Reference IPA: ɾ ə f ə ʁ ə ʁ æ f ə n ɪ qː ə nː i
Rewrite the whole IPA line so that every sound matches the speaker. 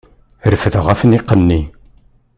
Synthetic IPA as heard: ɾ ə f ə ð ə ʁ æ f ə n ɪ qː ə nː i